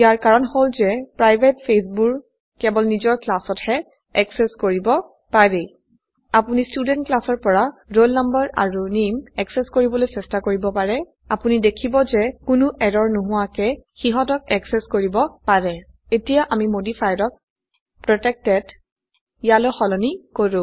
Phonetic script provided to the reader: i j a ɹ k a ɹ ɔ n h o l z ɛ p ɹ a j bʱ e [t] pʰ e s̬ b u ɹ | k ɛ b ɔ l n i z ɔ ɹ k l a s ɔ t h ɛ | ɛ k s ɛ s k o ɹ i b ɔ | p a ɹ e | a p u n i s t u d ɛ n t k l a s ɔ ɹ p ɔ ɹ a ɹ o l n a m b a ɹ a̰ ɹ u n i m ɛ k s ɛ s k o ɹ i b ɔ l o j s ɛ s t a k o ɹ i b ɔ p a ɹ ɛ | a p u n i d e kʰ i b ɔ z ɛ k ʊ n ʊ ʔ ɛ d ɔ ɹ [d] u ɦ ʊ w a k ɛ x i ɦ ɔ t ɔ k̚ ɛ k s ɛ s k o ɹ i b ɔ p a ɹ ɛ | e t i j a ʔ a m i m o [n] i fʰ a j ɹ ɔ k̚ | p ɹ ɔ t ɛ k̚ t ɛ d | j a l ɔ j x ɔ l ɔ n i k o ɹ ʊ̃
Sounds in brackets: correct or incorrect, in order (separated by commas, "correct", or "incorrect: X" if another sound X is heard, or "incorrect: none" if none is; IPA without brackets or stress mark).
correct, incorrect: n, incorrect: d